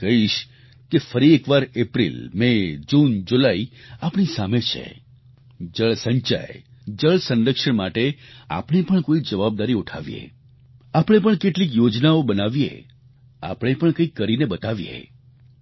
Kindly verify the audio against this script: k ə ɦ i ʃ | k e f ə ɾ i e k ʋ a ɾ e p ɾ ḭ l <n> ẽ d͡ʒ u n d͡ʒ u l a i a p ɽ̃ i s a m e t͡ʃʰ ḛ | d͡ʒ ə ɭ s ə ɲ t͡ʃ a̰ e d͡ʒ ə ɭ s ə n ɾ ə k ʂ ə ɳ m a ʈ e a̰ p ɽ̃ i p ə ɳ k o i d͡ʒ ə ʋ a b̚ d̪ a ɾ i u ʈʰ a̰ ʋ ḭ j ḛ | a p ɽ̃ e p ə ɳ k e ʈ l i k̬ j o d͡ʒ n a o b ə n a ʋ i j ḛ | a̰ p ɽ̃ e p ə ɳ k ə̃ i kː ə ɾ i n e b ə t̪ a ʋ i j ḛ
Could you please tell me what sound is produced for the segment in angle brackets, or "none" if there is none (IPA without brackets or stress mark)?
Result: m